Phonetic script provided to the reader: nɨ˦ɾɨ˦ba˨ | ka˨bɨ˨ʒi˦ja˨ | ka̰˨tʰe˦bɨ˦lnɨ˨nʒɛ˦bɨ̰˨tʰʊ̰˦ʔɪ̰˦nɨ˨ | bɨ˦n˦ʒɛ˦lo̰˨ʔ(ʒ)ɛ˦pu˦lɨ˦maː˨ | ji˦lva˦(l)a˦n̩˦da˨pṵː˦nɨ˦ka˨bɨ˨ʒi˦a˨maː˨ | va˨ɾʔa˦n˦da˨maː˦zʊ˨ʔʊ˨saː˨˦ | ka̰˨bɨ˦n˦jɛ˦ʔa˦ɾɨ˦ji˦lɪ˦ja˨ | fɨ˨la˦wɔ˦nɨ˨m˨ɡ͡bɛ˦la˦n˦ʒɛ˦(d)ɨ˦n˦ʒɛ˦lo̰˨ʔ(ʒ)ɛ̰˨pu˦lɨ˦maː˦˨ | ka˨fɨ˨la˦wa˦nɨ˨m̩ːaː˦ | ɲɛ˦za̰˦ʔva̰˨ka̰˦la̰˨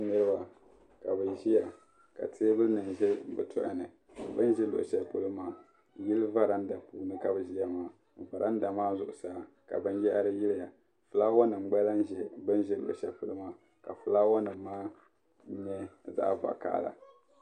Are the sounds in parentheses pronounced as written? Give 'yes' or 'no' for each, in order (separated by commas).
no, no, no, no